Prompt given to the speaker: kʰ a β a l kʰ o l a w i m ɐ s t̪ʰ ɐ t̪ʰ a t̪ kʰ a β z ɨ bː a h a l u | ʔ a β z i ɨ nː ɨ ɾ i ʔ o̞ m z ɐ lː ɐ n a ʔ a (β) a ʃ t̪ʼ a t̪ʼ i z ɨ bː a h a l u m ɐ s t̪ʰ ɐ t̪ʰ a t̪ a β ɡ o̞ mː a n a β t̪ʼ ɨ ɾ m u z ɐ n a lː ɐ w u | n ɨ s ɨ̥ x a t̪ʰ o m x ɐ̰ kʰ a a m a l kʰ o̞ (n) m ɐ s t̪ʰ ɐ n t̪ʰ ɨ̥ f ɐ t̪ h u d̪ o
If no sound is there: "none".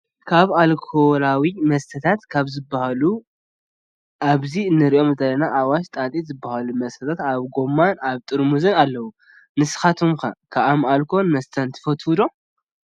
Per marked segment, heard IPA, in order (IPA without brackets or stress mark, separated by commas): w, n